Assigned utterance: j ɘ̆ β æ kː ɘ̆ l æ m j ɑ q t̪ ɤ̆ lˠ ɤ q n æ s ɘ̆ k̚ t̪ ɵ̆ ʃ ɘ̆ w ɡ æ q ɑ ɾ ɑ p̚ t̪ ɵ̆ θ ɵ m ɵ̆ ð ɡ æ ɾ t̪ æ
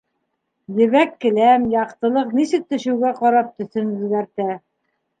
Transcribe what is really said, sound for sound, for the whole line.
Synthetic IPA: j ɘ̆ β æ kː ɘ̆ l æ m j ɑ q t̪ ɤ̆ lˠ ɤ q n i s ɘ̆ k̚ t̪ ɵ̆ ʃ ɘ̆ w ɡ æ q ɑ ɾ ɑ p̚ t̪ ɵ̆ θ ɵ n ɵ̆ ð ɡ æ ɾ t̪ æ